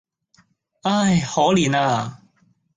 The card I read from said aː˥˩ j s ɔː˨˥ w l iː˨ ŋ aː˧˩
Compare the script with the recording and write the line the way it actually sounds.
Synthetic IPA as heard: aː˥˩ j h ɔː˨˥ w l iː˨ n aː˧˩